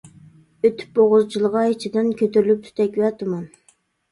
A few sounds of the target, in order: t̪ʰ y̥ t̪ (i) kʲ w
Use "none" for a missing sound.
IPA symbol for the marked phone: ɛ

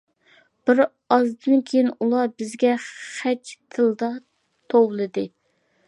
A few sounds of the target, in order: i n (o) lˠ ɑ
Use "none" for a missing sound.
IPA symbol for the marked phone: u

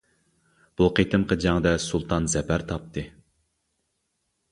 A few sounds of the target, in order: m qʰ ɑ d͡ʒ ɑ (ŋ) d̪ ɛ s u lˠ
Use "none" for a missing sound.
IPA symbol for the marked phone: ŋ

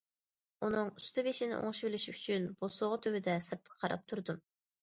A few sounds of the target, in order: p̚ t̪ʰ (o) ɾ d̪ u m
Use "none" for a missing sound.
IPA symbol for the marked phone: u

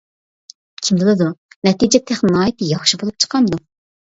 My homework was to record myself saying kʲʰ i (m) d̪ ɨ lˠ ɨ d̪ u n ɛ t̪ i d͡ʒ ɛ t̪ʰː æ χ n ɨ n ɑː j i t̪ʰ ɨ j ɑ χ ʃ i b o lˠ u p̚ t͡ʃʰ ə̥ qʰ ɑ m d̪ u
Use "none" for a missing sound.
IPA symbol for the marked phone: m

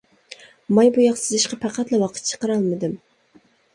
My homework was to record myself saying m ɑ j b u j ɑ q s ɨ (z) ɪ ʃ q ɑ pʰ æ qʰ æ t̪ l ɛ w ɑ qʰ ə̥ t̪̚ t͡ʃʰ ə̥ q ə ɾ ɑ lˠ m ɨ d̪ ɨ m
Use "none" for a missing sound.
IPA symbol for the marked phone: z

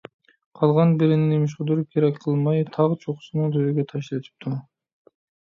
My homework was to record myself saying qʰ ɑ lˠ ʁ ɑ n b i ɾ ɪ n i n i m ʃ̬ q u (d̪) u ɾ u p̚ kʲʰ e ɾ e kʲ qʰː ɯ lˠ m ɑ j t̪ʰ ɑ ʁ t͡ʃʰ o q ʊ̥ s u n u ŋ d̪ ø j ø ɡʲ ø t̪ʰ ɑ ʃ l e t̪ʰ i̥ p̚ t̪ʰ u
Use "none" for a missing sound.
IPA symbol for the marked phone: d̪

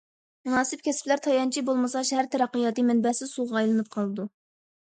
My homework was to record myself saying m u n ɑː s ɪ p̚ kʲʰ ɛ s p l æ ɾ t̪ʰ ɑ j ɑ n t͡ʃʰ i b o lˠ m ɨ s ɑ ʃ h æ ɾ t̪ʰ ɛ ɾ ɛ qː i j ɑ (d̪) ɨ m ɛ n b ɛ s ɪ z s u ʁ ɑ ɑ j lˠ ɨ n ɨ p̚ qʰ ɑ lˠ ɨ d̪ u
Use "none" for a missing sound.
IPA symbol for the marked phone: t̪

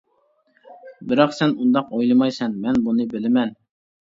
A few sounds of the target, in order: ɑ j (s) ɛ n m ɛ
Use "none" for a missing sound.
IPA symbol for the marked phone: s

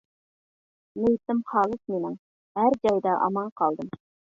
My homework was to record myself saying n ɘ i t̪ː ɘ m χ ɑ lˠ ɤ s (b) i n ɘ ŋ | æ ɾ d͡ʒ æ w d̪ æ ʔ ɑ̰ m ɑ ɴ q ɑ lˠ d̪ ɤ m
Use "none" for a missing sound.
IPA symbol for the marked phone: m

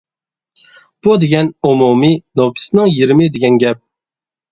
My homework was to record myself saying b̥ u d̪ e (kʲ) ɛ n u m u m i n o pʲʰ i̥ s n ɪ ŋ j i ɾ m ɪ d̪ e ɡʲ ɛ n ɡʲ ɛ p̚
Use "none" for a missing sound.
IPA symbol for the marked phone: ɡʲ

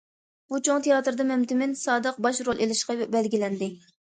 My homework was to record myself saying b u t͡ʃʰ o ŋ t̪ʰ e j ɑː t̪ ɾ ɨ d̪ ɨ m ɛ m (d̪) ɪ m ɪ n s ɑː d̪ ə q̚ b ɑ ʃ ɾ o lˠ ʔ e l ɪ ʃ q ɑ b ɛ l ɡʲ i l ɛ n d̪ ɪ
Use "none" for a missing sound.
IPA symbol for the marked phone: t̪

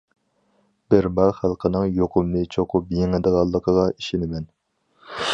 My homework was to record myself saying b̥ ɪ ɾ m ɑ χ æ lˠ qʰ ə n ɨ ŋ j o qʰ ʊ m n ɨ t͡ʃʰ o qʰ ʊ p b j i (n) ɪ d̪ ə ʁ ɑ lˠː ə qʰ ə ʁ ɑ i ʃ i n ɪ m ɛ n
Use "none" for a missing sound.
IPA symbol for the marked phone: ŋ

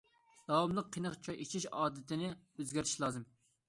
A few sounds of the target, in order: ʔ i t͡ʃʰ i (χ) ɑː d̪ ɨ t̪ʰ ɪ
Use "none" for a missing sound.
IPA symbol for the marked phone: ʃ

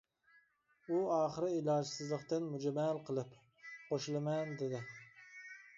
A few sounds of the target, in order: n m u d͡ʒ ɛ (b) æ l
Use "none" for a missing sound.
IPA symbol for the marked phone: m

